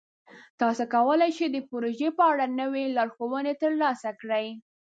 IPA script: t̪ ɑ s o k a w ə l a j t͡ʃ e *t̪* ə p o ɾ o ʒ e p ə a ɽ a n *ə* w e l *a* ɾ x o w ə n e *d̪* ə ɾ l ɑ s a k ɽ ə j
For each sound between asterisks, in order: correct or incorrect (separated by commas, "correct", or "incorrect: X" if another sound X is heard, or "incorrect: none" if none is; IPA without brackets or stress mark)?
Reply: incorrect: d̪, correct, incorrect: ɑ, incorrect: t̪